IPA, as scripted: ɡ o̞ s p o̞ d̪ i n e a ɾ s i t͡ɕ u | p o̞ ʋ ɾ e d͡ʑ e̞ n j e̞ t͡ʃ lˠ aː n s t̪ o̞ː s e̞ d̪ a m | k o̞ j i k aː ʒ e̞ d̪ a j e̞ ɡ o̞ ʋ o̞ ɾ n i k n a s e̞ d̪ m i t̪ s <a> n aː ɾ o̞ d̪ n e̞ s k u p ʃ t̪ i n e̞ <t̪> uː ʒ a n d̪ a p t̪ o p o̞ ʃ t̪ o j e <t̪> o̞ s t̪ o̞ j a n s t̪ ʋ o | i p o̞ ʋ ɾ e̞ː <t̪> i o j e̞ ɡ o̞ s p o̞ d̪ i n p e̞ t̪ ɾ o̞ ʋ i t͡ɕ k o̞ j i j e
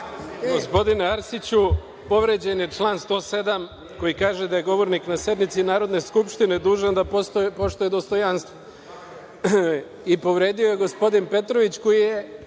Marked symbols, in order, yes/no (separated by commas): no, no, no, no